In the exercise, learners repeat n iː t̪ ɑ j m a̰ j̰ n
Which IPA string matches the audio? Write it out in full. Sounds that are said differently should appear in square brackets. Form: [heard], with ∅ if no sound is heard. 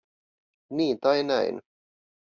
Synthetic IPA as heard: n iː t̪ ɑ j [n] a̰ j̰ n